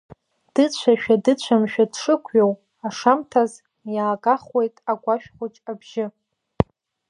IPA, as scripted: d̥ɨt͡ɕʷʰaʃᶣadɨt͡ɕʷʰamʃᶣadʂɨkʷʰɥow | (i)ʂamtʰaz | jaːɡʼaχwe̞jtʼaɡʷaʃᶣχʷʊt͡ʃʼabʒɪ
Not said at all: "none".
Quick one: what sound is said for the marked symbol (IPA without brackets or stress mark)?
a